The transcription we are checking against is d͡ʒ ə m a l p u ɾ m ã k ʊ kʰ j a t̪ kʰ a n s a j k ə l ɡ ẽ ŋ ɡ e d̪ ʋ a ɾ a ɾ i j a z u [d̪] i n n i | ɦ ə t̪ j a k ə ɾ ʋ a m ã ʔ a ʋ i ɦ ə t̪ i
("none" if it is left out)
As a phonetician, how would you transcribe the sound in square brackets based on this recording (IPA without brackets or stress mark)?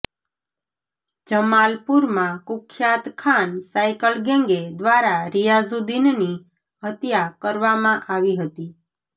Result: d̪